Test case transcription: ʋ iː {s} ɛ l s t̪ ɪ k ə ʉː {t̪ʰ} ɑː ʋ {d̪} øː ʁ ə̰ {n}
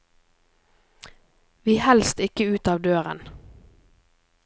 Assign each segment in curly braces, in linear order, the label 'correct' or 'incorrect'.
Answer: incorrect: h, incorrect: t̪, correct, correct

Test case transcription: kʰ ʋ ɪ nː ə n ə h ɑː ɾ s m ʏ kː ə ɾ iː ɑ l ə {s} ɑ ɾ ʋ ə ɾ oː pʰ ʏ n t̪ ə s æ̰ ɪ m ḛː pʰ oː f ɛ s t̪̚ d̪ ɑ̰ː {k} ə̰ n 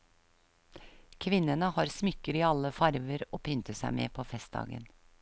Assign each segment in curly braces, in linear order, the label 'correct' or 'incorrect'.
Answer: incorrect: f, incorrect: ɡ

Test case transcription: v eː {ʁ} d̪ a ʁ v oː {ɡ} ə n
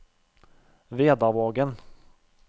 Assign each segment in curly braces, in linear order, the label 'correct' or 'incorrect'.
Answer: incorrect: none, correct

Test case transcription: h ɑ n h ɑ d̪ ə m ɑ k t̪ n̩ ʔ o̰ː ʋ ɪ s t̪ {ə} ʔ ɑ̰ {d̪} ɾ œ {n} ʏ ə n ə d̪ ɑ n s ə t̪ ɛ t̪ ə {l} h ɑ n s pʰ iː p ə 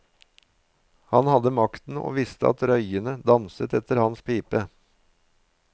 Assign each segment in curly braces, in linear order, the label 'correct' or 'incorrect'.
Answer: correct, incorrect: t̪, incorrect: none, incorrect: ɾ

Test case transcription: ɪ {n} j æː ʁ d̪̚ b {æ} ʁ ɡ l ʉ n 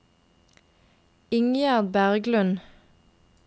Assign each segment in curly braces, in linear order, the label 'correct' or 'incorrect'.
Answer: incorrect: ŋ, correct

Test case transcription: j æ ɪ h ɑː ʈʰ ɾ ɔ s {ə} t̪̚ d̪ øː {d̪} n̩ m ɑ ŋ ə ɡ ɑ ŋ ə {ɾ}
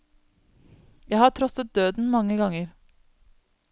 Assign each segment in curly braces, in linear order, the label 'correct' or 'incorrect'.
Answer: correct, correct, correct

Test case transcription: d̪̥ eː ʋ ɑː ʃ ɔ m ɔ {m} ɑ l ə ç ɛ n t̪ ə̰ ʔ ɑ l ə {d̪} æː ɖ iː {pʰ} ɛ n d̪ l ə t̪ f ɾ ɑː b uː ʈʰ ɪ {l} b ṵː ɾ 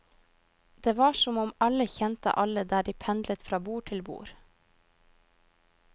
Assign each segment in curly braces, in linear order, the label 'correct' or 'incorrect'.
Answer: correct, correct, correct, correct

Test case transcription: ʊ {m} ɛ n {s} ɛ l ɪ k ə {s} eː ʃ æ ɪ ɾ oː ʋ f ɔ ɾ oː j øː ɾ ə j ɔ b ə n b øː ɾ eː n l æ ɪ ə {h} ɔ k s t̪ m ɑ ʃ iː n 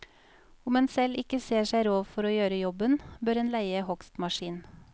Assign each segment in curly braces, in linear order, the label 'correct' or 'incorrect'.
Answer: correct, correct, correct, correct

